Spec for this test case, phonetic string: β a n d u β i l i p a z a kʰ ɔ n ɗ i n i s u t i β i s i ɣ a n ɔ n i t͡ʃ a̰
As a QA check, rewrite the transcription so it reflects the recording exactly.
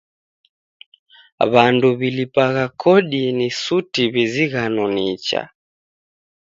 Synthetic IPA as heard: β a n d u β i l i p a ɣ a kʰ ɔ ɗ i n i s u t i β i z i ɣ a n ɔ n i t͡ʃ a̰